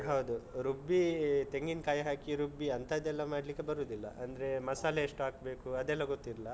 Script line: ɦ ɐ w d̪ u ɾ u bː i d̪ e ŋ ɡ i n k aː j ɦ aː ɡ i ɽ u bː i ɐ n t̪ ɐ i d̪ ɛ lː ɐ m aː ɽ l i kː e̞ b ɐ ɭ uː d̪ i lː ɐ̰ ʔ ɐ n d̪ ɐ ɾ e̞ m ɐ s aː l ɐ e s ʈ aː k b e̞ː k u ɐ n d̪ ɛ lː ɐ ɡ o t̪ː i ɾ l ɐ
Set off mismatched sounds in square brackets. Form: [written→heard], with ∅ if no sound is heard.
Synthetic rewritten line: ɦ ɐ w d̪ u ɾ u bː i [d̪→t̪] e ŋ ɡ i n k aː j ɦ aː [ɡ→k] i [ɽ→ɾ] u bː i ɐ n t̪ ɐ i d̪ ɛ lː ɐ m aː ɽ l i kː e̞ b ɐ [ɭ→ɾ] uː d̪ i lː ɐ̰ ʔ ɐ n d̪ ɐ ɾ e̞ m ɐ s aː l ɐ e [s→ʂ] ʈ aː k b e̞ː k u ɐ [n→∅] d̪ ɛ lː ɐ ɡ o t̪ː i ɾ l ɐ